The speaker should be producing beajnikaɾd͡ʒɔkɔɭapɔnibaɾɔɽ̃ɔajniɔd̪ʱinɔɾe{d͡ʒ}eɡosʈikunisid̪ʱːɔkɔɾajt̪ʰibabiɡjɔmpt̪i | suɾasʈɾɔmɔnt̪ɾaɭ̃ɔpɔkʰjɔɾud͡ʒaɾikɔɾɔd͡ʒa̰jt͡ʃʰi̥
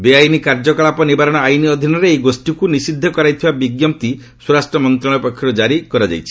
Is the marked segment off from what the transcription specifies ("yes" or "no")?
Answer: yes